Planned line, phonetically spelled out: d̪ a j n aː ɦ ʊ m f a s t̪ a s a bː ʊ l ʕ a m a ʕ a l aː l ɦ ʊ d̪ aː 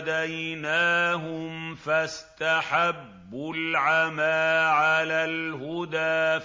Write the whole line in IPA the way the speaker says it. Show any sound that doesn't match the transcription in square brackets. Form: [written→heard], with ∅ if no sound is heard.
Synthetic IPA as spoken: d̪ a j n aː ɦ ʊ m f a s t̪ a [s→ħ] a bː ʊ l ʕ a m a ʕ a l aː l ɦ ʊ d̪ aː